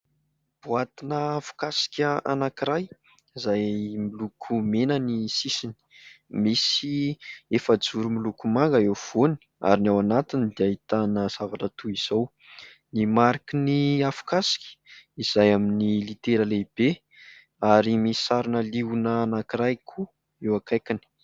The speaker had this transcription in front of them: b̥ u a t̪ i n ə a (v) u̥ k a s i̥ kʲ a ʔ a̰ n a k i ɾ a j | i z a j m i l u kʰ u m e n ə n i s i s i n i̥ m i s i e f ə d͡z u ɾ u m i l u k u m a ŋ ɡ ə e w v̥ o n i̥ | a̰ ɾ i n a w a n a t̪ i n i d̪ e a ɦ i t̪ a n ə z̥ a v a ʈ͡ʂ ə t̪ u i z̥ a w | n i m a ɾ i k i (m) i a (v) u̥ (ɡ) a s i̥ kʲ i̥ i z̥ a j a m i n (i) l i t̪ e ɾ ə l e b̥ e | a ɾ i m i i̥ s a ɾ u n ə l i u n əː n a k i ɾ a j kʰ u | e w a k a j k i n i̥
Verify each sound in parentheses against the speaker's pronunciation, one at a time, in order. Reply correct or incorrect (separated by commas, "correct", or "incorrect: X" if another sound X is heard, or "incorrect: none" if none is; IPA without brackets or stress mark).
incorrect: f, incorrect: n, incorrect: f, incorrect: k, correct